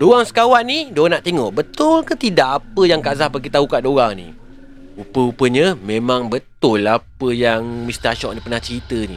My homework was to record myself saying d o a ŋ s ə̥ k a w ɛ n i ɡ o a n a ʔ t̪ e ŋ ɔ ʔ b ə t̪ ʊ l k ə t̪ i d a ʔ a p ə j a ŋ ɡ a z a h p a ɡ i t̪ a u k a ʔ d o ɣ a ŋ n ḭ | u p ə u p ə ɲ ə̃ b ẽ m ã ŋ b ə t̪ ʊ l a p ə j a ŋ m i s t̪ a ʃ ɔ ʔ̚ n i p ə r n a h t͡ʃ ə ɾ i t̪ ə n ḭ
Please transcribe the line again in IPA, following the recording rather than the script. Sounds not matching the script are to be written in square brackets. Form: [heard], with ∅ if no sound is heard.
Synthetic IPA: d o a ŋ s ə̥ k a w [a] n i [d] o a n a ʔ t̪ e ŋ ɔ ʔ b ə t̪ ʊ l k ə t̪ i d a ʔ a p ə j a ŋ [k] a z a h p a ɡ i t̪ a u k a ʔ d o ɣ a ŋ n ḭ | u p ə u p ə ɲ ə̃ [m] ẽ m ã ŋ b ə t̪ ʊ l a p ə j a ŋ m i s t̪ a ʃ ɔ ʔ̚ n i p ə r n a h t͡ʃ ə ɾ i t̪ ə n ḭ